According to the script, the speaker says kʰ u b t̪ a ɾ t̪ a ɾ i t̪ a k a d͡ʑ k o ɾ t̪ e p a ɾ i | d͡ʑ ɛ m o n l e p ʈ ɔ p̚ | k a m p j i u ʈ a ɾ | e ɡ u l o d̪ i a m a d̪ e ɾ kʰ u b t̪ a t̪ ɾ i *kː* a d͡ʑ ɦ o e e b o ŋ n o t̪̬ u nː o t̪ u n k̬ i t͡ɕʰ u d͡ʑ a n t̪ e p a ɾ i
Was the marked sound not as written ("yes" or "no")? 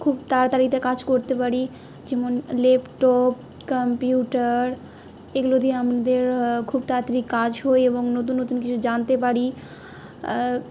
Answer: no